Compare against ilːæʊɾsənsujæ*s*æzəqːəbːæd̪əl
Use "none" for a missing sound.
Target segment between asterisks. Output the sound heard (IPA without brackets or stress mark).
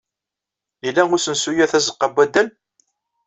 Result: θ